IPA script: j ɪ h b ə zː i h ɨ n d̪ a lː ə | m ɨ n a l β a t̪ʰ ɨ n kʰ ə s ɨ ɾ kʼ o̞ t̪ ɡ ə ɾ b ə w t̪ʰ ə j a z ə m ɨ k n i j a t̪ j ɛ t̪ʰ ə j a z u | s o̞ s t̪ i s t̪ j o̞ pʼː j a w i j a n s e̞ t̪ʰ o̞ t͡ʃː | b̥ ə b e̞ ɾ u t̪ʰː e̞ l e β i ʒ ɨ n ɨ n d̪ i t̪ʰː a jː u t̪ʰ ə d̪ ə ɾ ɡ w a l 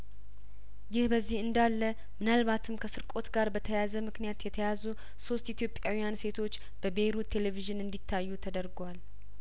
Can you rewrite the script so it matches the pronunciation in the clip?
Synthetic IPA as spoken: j ɪ h b ə zː i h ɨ n d̪ a lː ə | m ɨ n a l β a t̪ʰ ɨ m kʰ ə s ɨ ɾ kʼ o̞ t̪ ɡ a ɾ b ə t̪ʰ ə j a z ə m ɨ k n i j a t̪ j ɛ t̪ʰ ə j a z u | s o̞ s t̪ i t̪ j o̞ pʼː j a w i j a n s e̞ t̪ʰ o̞ t͡ʃː | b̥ ə b e̞ ɾ u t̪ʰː e̞ l e v i ʒ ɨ n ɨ n d̪ i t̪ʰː a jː u t̪ʰ ə d̪ ə ɾ ɡ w a l